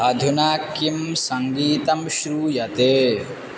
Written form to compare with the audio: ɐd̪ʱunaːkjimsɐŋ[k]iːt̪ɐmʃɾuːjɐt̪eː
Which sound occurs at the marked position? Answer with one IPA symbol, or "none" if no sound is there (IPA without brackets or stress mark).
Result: ɡ